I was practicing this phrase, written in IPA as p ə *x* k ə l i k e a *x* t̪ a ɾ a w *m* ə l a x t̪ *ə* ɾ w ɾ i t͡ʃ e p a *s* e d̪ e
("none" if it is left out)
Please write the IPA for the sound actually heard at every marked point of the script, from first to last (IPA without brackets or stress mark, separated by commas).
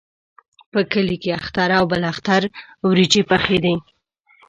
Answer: none, x, b, a, x